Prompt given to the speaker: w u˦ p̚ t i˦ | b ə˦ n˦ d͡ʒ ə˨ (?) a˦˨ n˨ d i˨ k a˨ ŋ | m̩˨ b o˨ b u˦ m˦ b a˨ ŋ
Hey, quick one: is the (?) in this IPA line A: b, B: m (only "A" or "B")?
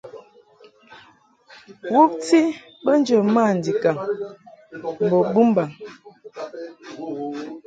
B